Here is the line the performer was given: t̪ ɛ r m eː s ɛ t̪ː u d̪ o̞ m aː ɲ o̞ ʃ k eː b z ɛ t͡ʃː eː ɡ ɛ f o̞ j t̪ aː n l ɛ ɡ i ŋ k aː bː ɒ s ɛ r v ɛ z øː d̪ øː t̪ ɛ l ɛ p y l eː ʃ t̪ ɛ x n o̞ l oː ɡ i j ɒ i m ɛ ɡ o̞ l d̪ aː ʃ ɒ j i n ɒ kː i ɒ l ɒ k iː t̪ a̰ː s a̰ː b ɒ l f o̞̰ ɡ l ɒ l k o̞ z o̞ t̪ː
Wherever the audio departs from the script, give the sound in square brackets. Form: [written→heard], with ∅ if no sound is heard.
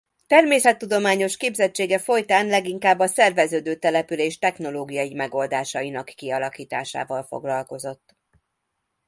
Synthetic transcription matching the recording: t̪ ɛ r m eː s ɛ t̪ː u d̪ o̞ m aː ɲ o̞ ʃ k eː b z ɛ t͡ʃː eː ɡ ɛ f o̞ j t̪ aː n l ɛ ɡ i ŋ k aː bː ɒ s ɛ r v ɛ z øː d̪ øː t̪ ɛ l ɛ p y l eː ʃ t̪ ɛ x n o̞ l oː ɡ i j ɒ i m ɛ ɡ o̞ l d̪ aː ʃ ɒ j i n ɒ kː i ɒ l ɒ k iː t̪ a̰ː [s→ʃ] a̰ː [b→v] ɒ l f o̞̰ ɡ l ɒ l k o̞ z o̞ t̪ː